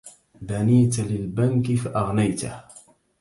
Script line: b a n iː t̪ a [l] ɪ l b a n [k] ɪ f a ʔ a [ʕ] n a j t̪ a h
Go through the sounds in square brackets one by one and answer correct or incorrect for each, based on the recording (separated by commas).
correct, correct, incorrect